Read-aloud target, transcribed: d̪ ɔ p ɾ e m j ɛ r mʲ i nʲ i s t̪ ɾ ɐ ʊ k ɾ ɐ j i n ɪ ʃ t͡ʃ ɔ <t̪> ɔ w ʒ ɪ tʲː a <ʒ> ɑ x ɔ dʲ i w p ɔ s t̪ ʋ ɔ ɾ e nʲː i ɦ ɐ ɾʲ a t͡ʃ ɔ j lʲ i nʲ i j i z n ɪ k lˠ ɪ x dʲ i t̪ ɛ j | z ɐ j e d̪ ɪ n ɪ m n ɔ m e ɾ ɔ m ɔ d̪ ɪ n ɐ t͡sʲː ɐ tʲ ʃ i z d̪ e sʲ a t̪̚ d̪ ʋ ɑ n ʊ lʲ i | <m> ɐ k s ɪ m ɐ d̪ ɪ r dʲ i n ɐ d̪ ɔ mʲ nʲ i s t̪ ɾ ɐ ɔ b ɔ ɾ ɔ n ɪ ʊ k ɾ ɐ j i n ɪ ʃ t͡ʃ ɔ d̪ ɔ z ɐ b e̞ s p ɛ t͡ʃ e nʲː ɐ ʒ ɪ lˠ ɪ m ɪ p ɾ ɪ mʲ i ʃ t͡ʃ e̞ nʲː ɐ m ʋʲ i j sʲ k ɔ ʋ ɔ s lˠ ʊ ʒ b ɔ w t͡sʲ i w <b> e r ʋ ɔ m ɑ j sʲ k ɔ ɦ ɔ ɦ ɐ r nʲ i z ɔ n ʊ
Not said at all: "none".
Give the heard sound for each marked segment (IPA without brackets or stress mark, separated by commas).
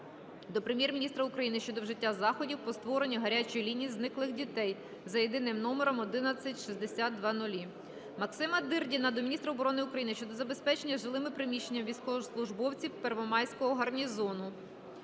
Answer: d̪, z, m, p